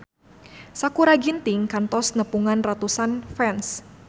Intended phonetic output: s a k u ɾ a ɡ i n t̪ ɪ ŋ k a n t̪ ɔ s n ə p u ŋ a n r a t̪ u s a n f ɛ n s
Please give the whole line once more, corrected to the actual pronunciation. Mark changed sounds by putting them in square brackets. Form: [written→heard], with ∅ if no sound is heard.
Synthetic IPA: s a k u ɾ a ɡ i n t̪ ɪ ŋ k a n t̪ ɔ s n ə p u ŋ a n r a t̪ u s a n f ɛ n s